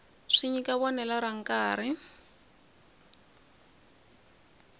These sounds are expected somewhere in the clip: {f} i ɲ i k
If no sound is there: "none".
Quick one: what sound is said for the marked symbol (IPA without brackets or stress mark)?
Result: ʂ